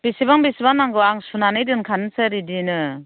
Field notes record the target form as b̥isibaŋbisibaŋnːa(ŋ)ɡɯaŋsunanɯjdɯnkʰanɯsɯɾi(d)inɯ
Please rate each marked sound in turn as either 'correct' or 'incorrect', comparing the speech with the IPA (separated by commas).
correct, correct